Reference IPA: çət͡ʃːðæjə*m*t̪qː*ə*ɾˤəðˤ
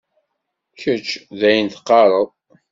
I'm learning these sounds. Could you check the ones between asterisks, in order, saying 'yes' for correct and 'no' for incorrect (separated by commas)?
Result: no, no